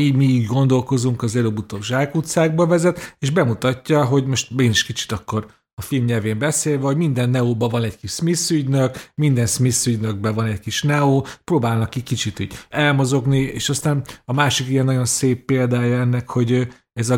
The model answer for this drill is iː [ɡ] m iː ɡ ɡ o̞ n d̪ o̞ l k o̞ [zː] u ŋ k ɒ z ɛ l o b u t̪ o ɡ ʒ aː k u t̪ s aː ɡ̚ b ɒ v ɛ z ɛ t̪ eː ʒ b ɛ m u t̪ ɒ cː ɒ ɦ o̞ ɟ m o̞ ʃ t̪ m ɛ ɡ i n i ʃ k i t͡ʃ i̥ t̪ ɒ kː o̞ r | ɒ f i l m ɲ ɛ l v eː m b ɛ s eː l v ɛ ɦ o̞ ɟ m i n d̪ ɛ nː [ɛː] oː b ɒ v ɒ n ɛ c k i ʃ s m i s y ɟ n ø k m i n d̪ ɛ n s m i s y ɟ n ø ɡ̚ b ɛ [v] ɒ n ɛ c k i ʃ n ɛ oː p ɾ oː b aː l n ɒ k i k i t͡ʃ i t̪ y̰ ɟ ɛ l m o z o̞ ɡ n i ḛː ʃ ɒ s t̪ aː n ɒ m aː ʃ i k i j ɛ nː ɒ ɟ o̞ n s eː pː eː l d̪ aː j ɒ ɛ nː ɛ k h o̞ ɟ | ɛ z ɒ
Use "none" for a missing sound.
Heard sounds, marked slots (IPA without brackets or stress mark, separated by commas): ɟ, z, ɛ, v